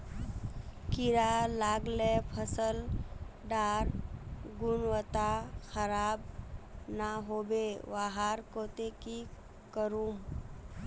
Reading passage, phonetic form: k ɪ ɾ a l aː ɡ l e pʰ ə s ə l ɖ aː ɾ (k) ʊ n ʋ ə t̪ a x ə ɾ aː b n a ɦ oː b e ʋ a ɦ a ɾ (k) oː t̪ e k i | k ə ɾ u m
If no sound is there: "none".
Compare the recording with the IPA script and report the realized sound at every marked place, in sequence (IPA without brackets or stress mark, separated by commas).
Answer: ɡ, k